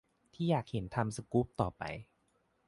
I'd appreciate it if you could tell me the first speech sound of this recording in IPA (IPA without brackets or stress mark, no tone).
t̪ʰ